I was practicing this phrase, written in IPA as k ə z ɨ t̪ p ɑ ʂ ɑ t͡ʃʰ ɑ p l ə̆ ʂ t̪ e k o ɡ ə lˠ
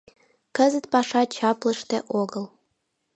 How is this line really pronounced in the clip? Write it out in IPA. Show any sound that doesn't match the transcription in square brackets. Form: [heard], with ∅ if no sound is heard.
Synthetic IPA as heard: k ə z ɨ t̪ p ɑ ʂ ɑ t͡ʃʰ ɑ p l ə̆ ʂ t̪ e [ʔ] o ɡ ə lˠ

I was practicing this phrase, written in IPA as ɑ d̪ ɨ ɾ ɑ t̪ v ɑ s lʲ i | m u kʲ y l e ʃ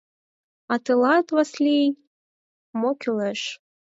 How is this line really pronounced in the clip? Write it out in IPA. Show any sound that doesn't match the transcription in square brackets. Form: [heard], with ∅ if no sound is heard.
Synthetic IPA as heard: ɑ [t̪] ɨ [l] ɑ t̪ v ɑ s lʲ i | m [o] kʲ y l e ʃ

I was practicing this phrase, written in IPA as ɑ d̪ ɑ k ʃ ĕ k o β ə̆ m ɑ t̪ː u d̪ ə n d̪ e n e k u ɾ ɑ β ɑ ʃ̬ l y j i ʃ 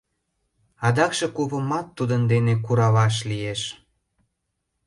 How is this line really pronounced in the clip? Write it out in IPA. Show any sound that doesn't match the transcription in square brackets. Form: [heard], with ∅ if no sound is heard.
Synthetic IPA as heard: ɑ d̪ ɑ k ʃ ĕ k [u] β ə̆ m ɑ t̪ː u d̪ ə n d̪ e n e k u ɾ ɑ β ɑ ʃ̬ l [i] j [e] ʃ

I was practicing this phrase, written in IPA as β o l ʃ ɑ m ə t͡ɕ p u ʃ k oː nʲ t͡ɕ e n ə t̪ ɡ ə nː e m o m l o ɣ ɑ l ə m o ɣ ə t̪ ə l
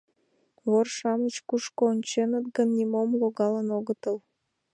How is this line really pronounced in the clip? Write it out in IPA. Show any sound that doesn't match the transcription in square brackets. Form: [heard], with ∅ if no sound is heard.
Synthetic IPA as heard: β o [r] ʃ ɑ m ə t͡ɕ [k] u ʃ k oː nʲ t͡ɕ e n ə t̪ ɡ ə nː [i] m o m l o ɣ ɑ l ə [n] o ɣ ə t̪ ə l

